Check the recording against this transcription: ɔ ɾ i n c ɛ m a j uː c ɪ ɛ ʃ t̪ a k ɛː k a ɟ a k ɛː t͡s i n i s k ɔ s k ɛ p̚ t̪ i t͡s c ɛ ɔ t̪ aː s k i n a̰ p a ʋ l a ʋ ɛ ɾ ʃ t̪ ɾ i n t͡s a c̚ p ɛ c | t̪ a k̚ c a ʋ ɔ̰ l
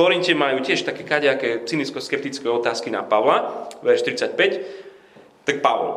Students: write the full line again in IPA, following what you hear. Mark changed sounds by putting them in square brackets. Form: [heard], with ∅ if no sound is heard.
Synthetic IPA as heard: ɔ ɾ i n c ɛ m a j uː c ɪ ɛ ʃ t̪ a k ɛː k a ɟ a k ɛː t͡s i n i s k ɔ s k ɛ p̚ t̪ i t͡s [k] ɛ ɔ t̪ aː s k i n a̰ p a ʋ l a ʋ ɛ ɾ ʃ t̪ ɾ i [∅] t͡s a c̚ p ɛ c | t̪ a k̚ [p] a ʋ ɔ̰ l